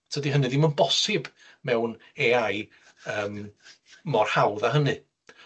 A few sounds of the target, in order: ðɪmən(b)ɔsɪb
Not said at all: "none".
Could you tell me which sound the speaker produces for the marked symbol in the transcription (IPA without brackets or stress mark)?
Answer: b